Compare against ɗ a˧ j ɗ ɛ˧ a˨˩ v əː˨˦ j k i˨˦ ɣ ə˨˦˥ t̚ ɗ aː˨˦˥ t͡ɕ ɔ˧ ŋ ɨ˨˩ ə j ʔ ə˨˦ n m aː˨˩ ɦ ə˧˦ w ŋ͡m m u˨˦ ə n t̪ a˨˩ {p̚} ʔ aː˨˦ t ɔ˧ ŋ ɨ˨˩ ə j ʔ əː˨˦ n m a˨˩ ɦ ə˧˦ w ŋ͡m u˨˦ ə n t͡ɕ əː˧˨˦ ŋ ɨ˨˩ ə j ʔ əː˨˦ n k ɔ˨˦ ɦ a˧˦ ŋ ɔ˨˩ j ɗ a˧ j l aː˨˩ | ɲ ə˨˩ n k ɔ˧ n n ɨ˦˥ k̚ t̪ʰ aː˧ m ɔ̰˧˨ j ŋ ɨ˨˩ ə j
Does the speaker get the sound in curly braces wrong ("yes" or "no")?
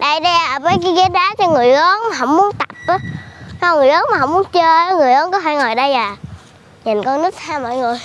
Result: no